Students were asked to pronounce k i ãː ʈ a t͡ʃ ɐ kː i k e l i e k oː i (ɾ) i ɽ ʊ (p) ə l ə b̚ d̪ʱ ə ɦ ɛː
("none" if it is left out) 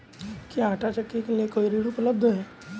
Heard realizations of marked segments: ɾ, p

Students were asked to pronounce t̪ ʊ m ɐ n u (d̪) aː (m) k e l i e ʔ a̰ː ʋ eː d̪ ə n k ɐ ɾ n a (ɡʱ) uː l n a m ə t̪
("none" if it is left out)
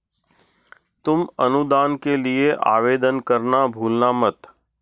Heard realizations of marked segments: d̪, n, bʱ

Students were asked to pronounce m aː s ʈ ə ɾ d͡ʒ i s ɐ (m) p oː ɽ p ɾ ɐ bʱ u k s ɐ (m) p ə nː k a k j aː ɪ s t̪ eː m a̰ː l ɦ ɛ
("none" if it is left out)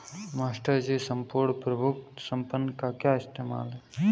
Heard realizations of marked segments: m, m

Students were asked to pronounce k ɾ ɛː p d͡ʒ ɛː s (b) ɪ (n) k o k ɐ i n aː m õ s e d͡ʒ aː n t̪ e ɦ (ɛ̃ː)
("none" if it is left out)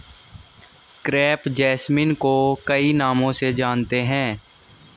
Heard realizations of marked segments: m, n, ɛ̃ː

